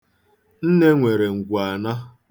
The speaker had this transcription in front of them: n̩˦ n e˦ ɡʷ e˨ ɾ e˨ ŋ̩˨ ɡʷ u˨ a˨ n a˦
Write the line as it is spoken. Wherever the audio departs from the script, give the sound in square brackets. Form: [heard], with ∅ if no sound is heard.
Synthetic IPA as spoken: n̩˦ n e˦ [ŋʷ] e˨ ɾ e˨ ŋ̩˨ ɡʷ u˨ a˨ n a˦